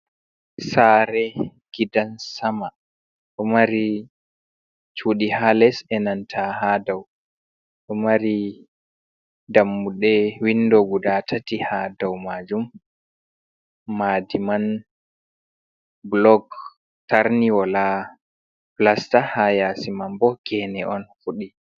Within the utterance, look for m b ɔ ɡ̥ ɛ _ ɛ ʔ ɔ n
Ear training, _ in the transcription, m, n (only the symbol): n